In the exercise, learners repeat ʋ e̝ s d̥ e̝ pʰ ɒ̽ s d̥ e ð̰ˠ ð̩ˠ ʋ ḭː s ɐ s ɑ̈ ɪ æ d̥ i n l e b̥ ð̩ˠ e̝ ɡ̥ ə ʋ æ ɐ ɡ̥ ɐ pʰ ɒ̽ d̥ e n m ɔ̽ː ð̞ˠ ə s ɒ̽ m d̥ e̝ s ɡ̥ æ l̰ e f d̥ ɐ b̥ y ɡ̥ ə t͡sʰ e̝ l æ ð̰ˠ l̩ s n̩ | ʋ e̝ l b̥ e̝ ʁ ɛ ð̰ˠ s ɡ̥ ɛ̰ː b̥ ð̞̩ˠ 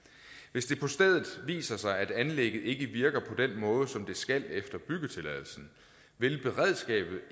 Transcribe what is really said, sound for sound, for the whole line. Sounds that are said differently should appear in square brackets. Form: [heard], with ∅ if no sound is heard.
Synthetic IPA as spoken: ʋ e̝ s d̥ e̝ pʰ ɒ̽ s d̥ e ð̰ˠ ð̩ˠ ʋ ḭː s ɐ s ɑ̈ ɪ æ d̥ [æ] n l e [ɡ̥] ð̩ˠ e̝ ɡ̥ ə ʋ [i] ɐ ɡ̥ ɐ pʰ ɒ̽ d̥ e n m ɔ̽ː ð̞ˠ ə s ɒ̽ m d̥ e̝ s ɡ̥ æ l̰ e f d̥ ɐ b̥ y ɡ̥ ə t͡sʰ e̝ l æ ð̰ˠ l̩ s n̩ | ʋ e̝ l b̥ e̝ ʁ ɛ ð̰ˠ s ɡ̥ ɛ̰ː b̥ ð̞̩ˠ

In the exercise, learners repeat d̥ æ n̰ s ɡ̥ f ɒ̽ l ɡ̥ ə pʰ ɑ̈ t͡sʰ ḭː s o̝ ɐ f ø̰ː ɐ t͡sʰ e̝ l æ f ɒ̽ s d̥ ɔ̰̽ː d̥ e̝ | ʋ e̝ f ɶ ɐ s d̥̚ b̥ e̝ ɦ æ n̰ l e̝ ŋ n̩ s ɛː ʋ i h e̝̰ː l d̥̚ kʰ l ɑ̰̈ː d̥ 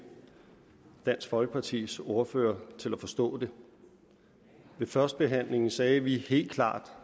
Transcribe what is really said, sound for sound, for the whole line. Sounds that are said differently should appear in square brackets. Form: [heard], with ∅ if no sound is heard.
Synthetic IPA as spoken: d̥ æ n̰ s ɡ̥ f ɒ̽ l ɡ̥ ə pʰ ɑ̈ t͡sʰ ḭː s o̝ ɐ f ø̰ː ɐ t͡sʰ e̝ l æ f ɒ̽ s d̥ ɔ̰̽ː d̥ e̝ | ʋ e̝ f ɶ ɐ s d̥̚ b̥ e̝ ɦ æ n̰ l e̝ ŋ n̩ s ɛː ʋ i h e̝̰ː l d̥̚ kʰ l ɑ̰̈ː d̥

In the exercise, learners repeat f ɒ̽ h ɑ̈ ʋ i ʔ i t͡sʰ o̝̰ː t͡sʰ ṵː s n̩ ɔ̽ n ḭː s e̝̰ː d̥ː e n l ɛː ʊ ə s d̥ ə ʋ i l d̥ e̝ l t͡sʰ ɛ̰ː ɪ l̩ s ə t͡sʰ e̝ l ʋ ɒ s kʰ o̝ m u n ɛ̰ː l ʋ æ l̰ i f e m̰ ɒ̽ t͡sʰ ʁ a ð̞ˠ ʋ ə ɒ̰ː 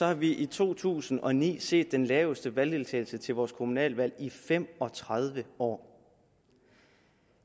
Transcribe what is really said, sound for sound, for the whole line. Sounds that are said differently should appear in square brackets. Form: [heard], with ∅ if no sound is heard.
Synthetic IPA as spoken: [s] ɒ̽ h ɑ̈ ʋ i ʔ i t͡sʰ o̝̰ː t͡sʰ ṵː s n̩ [ɒ̽] n ḭː s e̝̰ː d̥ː e n l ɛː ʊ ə s d̥ ə ʋ [æ] l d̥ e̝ l t͡sʰ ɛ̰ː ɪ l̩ s ə t͡sʰ e̝ l ʋ [ɒː] s kʰ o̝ m u n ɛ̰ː l ʋ æ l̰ i f e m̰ ɒ̽ t͡sʰ ʁ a ð̞ˠ ʋ ə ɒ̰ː

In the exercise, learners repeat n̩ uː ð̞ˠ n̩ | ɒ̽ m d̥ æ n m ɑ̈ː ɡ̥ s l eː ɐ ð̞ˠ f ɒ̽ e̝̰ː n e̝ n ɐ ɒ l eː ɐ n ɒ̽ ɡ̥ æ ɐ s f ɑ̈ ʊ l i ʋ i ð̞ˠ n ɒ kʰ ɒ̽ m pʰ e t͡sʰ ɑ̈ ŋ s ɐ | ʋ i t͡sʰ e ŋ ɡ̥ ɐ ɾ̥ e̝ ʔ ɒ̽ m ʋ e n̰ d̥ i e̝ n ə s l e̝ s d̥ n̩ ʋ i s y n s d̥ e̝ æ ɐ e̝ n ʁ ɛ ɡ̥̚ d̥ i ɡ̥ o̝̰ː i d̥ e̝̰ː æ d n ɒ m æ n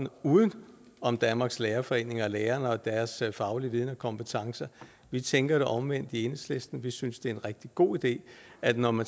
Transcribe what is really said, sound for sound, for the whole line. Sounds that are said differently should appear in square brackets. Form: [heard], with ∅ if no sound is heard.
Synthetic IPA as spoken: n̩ uː ð̞ˠ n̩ | ɒ̽ m d̥ æ n m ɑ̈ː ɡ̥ s l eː ɐ [∅] f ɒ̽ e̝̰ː n e̝ [ŋ] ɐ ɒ l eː ɐ n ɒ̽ [d̥] æ ɐ s f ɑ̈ ʊ l i ʋ i ð̞ˠ n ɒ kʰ ɒ̽ m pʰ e t͡sʰ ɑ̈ ŋ s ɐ | ʋ i t͡sʰ e ŋ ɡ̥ ɐ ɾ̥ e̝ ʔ ɒ̽ m ʋ e n̰ d̥ i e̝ n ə s l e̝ s d̥ n̩ ʋ i s y n s d̥ e̝ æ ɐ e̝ n ʁ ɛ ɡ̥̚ d̥ i ɡ̥ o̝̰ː i d̥ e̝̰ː æ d n ɒ m æ n

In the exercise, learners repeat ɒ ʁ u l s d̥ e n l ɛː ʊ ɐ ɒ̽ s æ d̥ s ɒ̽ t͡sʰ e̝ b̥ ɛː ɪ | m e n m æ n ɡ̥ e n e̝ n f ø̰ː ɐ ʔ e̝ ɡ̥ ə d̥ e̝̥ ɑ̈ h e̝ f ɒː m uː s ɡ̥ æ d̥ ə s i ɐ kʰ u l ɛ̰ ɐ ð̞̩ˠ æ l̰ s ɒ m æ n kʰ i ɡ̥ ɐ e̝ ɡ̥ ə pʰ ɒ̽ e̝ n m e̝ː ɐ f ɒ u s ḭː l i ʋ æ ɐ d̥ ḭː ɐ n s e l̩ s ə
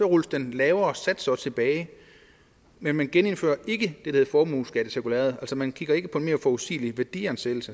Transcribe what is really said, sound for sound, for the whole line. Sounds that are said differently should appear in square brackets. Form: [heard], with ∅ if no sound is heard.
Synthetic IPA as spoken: ɒ ʁ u l s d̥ e n l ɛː ʊ ɐ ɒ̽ s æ d̥ s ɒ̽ t͡sʰ e̝ b̥ ɛː ɪ | m e n m æ n ɡ̥ e n e̝ n f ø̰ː ɐ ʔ e̝ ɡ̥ ə d̥ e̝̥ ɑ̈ h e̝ f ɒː m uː s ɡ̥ æ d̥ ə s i ɐ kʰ u l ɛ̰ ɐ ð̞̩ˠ æ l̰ s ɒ m æ n kʰ i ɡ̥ ɐ e̝ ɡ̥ ə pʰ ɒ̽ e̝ n m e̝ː ɐ f ɒ u s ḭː l i ʋ æ ɐ d̥ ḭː ɐ n s e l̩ s ə

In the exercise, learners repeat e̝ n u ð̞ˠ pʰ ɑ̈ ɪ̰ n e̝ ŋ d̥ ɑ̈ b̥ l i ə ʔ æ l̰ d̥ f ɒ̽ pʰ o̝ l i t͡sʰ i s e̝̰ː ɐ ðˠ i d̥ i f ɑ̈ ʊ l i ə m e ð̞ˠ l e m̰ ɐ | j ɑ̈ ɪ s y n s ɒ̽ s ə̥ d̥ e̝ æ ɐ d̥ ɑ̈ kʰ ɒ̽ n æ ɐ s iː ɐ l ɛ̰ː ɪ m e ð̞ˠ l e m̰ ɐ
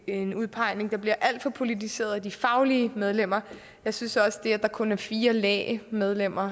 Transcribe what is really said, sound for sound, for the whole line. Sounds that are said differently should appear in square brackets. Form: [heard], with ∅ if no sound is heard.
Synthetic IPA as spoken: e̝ n u ð̞ˠ pʰ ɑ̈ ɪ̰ n e̝ ŋ d̥ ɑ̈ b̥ l i [ɐ] ʔ æ l̰ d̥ f ɒ̽ pʰ o̝ l i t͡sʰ i s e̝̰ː ɐ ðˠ [æ] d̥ i f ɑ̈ ʊ l i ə m e ð̞ˠ l e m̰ ɐ | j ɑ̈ ɪ s y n s ɒ̽ s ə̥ d̥ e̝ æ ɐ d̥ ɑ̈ kʰ [ɔ̽] n æ ɐ [f] iː ɐ l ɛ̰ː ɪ m e ð̞ˠ l e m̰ ɐ

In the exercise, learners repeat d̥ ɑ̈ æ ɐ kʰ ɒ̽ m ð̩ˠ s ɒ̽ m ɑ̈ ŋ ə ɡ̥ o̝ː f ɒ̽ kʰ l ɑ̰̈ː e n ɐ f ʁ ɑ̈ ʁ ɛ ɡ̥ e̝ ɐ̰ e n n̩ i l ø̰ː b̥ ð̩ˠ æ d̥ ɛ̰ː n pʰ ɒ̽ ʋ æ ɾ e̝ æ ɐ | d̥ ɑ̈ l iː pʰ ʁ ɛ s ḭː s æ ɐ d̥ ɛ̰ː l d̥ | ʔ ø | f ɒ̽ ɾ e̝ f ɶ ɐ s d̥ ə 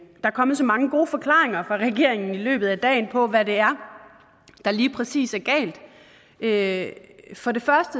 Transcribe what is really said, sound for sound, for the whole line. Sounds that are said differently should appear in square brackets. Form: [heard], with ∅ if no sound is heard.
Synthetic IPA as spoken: d̥ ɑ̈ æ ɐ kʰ ɒ̽ m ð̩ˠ s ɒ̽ m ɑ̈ ŋ ə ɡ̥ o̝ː f ɒ̽ kʰ l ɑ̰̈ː e [ŋ] ɐ f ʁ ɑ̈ ʁ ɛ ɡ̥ e̝ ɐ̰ e [ŋ] n̩ i l ø̰ː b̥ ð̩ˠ æ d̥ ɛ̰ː n pʰ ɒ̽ ʋ æ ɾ e̝ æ ɐ | d̥ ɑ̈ l iː pʰ ʁ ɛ s ḭː s æ ɐ [ɡ̥] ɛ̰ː l d̥ | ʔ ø | f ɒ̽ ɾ e̝ f ɶ ɐ s d̥ ə

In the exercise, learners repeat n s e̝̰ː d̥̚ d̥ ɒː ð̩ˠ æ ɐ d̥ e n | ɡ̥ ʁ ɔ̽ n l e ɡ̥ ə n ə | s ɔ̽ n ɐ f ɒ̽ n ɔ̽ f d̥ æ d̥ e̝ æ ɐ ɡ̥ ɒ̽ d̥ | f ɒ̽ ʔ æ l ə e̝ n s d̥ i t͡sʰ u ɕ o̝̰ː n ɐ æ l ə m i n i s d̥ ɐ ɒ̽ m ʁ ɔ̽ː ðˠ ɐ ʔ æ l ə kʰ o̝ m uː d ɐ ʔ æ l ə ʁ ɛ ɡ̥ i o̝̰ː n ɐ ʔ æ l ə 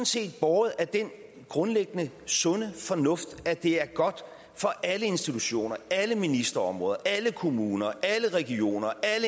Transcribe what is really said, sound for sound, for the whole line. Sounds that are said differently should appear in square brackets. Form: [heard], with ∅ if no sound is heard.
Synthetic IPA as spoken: n s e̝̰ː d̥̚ [b̥] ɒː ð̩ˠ æ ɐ d̥ e n | ɡ̥ ʁ ɔ̽ n l e ɡ̥ ə n ə | s ɔ̽ n [ə] f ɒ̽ n ɔ̽ f d̥ æ d̥ e̝ æ ɐ ɡ̥ ɒ̽ d̥ | f ɒ̽ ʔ æ l ə e̝ n s d̥ i t͡sʰ u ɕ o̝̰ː n ɐ æ l ə m i n i s d̥ ɐ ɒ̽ m ʁ ɔ̽ː ðˠ ɐ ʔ æ l ə kʰ o̝ m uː [n] ɐ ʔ æ l ə ʁ ɛ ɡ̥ i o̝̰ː n ɐ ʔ æ l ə

